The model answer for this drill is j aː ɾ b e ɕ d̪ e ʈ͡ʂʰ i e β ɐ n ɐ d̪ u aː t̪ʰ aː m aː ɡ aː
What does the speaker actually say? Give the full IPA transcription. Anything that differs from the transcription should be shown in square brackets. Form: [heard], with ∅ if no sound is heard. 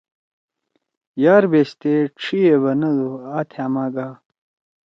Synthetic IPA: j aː ɾ b e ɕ [t̪] e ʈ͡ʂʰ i e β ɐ n ɐ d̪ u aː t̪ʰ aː m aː ɡ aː